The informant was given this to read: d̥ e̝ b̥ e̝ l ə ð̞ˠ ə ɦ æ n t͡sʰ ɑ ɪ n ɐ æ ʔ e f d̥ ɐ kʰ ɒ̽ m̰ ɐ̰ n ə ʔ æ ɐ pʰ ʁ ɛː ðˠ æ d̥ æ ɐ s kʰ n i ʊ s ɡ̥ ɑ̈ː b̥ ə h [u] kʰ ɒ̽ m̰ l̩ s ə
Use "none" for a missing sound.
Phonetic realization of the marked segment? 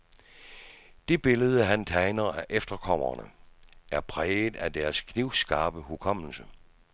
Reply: u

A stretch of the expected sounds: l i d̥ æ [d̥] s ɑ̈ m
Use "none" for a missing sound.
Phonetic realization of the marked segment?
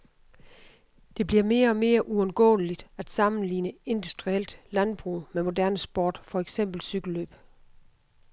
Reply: d̥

